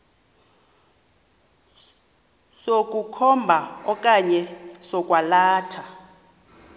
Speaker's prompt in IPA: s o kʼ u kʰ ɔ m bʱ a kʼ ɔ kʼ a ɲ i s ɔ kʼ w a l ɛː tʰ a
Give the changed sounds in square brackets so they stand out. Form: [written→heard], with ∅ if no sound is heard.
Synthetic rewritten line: s o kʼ u kʰ ɔ m bʱ a [kʼ→∅] ɔ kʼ a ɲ [i→ɛ] s ɔ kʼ w a l [ɛː→aː] tʰ a

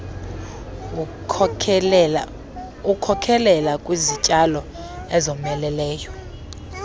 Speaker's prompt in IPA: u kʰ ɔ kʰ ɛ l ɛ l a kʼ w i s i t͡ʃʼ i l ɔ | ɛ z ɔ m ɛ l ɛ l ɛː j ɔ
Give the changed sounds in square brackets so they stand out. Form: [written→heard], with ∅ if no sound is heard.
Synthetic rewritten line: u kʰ ɔ kʰ ɛ l ɛ l a kʼ w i [s→z] i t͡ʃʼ [i→a] l ɔ | ɛ z ɔ m ɛ l ɛ l ɛː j ɔ

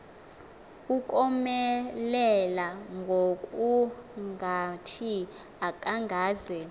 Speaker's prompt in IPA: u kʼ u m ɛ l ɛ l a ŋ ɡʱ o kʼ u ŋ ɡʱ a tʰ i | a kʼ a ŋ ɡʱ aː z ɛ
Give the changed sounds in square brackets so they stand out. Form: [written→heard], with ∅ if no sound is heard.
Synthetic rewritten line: u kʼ [u→ɔ] m ɛ l ɛ l a ŋ ɡʱ o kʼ u ŋ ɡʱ a tʰ i | a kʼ a ŋ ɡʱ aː z ɛ

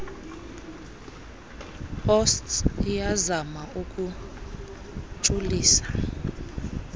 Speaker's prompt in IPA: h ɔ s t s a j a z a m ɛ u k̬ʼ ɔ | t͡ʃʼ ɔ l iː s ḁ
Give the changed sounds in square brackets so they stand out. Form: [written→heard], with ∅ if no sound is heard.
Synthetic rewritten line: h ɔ s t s [a→i] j a z a m [ɛ→a] u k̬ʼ [ɔ→u] | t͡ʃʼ [ɔ→u] l iː s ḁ

